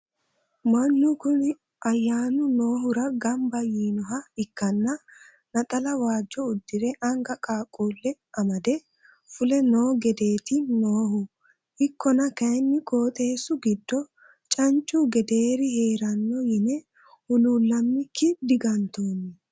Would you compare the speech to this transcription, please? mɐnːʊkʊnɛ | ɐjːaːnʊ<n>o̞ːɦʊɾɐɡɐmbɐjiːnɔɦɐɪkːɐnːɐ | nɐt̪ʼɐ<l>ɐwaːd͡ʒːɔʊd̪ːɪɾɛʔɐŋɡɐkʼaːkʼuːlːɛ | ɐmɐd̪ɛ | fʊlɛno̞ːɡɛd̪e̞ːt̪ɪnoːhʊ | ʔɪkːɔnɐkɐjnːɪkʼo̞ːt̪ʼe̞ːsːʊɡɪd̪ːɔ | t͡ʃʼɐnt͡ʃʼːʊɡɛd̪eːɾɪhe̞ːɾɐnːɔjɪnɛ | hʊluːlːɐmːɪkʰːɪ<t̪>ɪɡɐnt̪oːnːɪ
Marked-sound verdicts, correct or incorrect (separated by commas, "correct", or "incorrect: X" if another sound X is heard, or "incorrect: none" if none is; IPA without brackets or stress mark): correct, correct, incorrect: d̪